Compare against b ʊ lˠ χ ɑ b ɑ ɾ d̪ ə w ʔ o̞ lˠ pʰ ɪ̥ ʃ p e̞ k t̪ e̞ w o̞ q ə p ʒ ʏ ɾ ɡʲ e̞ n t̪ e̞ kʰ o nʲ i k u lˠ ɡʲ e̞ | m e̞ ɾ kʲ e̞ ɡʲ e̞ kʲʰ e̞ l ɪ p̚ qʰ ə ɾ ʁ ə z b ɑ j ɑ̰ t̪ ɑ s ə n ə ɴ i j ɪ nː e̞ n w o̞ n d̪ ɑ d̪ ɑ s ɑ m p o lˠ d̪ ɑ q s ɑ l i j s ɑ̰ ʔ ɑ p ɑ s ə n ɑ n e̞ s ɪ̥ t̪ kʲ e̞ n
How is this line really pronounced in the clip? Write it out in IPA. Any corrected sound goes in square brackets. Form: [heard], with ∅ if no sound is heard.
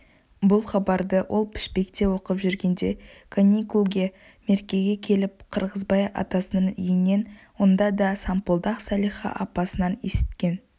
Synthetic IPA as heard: b ʊ lˠ χ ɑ b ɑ ɾ d̪ ə w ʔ o̞ lˠ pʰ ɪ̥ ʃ p e̞ k t̪ e̞ w o̞ q ə p ʒ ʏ ɾ ɡʲ e̞ n [d̪] e̞ kʰ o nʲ i k u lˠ ɡʲ e̞ | m e̞ ɾ kʲ e̞ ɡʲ e̞ kʲʰ e̞ l ɪ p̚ qʰ ə ɾ ʁ ə z b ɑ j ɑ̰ t̪ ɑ s ə n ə ɴ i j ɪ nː e̞ n w o̞ n d̪ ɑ d̪ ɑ s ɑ m p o lˠ d̪ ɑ q s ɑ l i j [χ] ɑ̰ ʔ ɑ p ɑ s ə n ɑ n e̞ s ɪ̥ t̪ kʲ e̞ n

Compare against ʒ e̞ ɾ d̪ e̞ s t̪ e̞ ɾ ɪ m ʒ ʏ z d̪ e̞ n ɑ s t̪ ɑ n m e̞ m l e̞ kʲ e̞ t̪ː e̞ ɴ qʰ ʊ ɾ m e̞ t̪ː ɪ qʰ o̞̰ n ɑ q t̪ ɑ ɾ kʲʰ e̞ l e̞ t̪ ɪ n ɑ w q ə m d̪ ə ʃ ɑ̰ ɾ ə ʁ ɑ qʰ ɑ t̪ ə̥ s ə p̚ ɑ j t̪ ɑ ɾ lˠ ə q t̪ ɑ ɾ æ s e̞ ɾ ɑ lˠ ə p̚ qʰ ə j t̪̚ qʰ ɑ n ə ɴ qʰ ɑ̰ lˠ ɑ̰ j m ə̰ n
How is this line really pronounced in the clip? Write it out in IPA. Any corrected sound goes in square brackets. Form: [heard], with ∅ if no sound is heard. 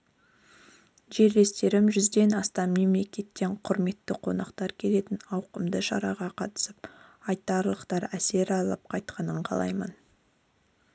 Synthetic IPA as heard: ʒ e̞ ɾ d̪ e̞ s t̪ e̞ ɾ ɪ m ʒ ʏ z d̪ e̞ n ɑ s t̪ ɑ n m e̞ m l e̞ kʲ e̞ t̪ː e̞ ɴ qʰ ʊ ɾ m e̞ t̪ː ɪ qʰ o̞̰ n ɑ q t̪ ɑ ɾ kʲʰ e̞ l e̞ t̪ ɪ n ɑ w q ə m d̪ ə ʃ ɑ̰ ɾ [ɑ] ʁ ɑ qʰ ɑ t̪ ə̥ s ə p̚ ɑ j t̪ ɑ ɾ lˠ ə q t̪ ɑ ɾ æ s e̞ ɾ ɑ lˠ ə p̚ qʰ [ɑ] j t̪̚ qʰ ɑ n ə ɴ qʰ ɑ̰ lˠ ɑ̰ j m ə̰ n

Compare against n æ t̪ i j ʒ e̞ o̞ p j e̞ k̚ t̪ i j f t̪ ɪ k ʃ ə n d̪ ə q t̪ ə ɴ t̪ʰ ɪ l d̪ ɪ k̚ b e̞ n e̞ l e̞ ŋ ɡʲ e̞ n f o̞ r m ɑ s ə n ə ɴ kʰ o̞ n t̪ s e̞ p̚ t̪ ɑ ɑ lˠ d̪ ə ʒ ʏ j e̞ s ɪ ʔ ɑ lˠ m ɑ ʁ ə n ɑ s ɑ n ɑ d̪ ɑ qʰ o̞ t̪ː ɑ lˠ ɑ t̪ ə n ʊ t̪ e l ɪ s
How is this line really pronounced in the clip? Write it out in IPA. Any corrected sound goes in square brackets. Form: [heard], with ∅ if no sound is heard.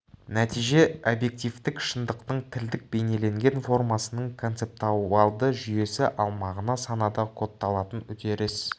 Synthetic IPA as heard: n æ t̪ i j ʒ e̞ o̞ [b] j e̞ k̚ t̪ i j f t̪ ɪ k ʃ ə n d̪ ə q t̪ ə ɴ t̪ʰ ɪ l d̪ ɪ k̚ b e̞ n e̞ l e̞ ŋ ɡʲ e̞ n f o̞ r m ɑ s ə n ə ɴ kʰ o̞ n t̪ s e̞ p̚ t̪ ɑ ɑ lˠ d̪ ə ʒ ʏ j e̞ s ɪ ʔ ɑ lˠ m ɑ ʁ ə n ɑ s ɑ n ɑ d̪ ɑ qʰ o̞ t̪ː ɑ lˠ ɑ t̪ ə n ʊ t̪ e [ɾ] ɪ s

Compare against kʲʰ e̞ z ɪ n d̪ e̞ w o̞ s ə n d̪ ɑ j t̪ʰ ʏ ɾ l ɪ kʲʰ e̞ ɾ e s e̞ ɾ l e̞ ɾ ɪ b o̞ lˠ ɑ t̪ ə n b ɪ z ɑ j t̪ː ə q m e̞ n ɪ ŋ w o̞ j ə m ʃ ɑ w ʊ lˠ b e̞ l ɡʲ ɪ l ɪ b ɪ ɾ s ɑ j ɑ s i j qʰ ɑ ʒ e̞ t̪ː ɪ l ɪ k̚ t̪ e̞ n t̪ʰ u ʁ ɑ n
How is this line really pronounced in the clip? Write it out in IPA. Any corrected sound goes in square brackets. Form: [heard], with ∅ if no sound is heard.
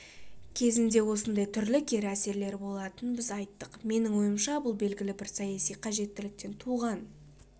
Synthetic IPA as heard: kʲʰ e̞ z ɪ n d̪ e̞ w o̞ s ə n d̪ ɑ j t̪ʰ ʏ ɾ l ɪ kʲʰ e̞ ɾ [æ] s e̞ ɾ l e̞ ɾ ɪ b o̞ lˠ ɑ t̪ ə n b ɪ z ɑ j t̪ː ə q m e̞ n ɪ ŋ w o̞ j ə m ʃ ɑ [b] ʊ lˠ b e̞ l ɡʲ ɪ l ɪ b ɪ ɾ s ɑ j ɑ s i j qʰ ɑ ʒ e̞ t̪ː ɪ l ɪ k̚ t̪ e̞ n t̪ʰ u ʁ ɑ n

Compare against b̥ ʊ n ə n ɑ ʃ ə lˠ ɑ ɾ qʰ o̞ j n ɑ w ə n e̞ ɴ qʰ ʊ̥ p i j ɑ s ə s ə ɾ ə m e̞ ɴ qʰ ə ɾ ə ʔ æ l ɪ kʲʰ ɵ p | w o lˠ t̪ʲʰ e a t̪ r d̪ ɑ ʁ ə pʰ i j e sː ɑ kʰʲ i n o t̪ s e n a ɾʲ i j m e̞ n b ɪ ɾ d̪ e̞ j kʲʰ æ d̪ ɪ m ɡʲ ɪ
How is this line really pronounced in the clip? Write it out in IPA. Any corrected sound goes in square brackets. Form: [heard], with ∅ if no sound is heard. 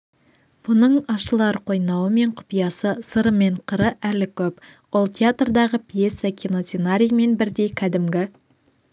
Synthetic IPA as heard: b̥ ʊ n ə [ɴ] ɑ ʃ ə lˠ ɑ ɾ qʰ o̞ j n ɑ w ə [m] e̞ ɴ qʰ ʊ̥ p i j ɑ s ə s ə ɾ ə m e̞ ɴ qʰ ə ɾ ə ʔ æ l ɪ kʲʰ ɵ p | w o lˠ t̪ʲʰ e a t̪ r d̪ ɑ ʁ ə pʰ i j e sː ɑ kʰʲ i n o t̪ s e n a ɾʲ i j m e̞ n b ɪ ɾ d̪ e̞ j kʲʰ æ d̪ ɪ m ɡʲ ɪ

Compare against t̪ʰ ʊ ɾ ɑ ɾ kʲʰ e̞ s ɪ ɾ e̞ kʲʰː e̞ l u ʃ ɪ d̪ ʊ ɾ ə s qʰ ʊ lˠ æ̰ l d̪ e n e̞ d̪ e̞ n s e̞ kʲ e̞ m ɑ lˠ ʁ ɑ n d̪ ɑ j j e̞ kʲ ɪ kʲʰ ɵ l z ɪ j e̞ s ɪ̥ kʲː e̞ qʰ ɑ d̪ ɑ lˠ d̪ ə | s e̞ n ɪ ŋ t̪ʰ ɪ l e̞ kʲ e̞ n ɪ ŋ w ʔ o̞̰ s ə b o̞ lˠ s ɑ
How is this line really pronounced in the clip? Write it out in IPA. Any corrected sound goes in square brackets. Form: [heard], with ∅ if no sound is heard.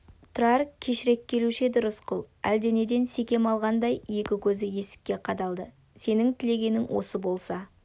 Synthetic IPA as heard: t̪ʰ ʊ ɾ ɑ ɾ kʲʰ e̞ [ʃ] ɪ ɾ e̞ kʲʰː e̞ l u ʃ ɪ d̪ ʊ ɾ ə s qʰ ʊ lˠ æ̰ l d̪ e n e̞ d̪ e̞ n s e̞ kʲ e̞ m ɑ lˠ ʁ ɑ n d̪ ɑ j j e̞ kʲ ɪ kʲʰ ɵ [∅] z ɪ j e̞ s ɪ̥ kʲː e̞ qʰ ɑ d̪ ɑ lˠ d̪ ə | s e̞ n ɪ ŋ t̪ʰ ɪ l e̞ [ɡʲ] e̞ n ɪ ŋ w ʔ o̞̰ s ə b o̞ lˠ s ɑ

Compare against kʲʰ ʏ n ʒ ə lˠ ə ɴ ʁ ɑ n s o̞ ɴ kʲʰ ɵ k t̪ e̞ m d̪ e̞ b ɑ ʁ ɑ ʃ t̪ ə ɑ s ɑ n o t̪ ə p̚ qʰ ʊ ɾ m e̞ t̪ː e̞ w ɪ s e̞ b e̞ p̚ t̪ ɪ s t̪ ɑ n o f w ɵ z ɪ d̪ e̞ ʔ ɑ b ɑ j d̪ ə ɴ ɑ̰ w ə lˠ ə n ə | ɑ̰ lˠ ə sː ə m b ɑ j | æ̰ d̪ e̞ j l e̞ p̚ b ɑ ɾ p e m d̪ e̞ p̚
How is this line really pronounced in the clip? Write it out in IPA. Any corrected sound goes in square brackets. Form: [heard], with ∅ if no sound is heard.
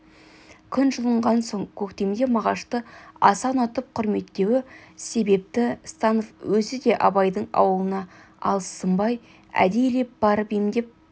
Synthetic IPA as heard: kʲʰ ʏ n ʒ ə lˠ ə ɴ ʁ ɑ n s o̞ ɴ kʲʰ ɵ k t̪ e̞ m d̪ e̞ [m] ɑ ʁ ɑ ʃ t̪ ə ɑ s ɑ n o t̪ ə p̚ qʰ ʊ ɾ m e̞ t̪ː e̞ w ɪ s e̞ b e̞ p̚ t̪ ɪ s t̪ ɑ n o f w ɵ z ɪ d̪ e̞ ʔ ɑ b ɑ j d̪ ə ɴ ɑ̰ w ə lˠ ə n [ɑ] | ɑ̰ lˠ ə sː ə m b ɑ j | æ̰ d̪ e̞ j l e̞ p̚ b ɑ ɾ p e m d̪ e̞ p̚

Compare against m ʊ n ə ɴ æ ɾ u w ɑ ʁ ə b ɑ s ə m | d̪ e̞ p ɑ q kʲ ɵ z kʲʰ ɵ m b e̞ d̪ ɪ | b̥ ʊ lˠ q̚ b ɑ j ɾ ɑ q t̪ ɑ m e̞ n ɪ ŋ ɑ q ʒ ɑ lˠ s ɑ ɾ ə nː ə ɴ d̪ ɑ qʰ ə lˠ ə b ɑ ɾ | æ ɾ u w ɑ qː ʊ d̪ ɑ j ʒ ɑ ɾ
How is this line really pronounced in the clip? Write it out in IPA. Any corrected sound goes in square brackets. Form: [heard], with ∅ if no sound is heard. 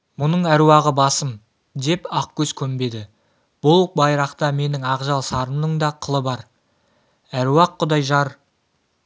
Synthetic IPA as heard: m ʊ n ə ɴ æ ɾ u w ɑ ʁ ə b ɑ s ə m | d̪ e̞ p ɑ q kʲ ɵ z kʲʰ ɵ m b e̞ d̪ ɪ | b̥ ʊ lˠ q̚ b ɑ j ɾ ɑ q t̪ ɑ m e̞ n ɪ ŋ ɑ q ʒ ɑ lˠ s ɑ ɾ ə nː ə ɴ d̪ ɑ qʰ ə lˠ ə b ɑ ɾ | æ ɾ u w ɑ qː ʊ d̪ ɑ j ʒ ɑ ɾ

